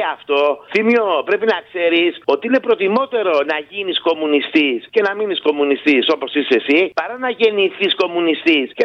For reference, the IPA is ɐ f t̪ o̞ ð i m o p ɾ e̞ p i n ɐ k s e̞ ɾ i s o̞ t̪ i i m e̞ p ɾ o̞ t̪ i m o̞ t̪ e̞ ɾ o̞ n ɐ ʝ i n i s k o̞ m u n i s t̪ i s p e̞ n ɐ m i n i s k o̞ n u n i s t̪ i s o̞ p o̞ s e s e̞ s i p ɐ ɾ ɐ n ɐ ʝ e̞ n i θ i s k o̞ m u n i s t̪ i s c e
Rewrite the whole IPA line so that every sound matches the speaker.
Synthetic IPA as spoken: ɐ f t̪ o̞ θ i m o p ɾ e̞ p i n ɐ k s e̞ ɾ i s o̞ t̪ i i n e̞ p ɾ o̞ t̪ i m o̞ t̪ e̞ ɾ o̞ n ɐ ʝ i n i s k o̞ m u n i s t̪ i s c e̞ n ɐ m i n i s k o̞ m u n i s t̪ i s o̞ p o̞ s i s e̞ s i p ɐ ɾ ɐ n ɐ ʝ e̞ n i θ i s k o̞ m u n i s t̪ i s c e